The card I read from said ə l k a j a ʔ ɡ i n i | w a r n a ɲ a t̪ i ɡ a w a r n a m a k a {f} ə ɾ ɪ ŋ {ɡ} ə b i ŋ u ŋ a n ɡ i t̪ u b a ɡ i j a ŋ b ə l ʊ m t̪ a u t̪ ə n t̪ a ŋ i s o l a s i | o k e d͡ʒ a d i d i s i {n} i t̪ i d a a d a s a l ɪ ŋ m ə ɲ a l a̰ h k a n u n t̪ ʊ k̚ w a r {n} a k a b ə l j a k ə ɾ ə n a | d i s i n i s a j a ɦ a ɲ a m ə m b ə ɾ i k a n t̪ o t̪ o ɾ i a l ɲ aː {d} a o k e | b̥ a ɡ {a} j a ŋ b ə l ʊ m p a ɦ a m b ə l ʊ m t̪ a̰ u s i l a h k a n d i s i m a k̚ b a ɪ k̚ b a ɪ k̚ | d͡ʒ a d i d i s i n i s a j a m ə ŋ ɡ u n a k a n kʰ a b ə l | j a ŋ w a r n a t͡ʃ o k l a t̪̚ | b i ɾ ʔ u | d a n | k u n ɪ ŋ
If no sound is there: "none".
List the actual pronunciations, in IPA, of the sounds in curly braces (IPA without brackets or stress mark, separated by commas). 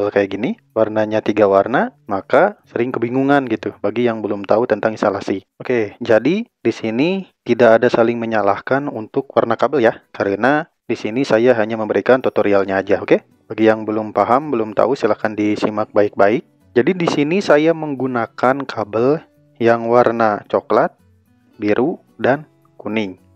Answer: s, k, n, n, d͡ʒ, i